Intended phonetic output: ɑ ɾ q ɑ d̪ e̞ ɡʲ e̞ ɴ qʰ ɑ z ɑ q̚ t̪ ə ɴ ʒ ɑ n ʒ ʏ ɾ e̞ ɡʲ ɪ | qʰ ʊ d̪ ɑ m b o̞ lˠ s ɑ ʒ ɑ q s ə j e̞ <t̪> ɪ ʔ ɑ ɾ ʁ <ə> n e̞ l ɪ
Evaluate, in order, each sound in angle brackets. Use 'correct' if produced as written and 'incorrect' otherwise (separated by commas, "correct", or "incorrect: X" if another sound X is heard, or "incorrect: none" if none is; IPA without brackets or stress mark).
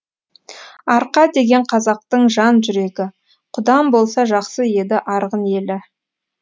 incorrect: d̪, correct